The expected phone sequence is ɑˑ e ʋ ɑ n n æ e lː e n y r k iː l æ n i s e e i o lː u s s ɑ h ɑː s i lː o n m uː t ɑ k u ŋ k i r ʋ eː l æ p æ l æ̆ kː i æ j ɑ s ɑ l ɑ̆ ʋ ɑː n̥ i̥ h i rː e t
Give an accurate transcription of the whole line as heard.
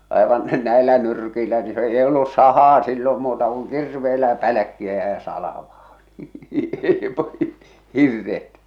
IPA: ɑˑ e ʋ ɑ n n æ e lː æ n y r k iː l æ n i s e e i o lː u s s ɑ h ɑː s i lː o m m uː t ɑ k u ŋ k i r ʋ eː l æ p æ l æ̆ kː i æ j ɑ s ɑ l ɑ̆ ʋ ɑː n̥ i̥ h i rː e t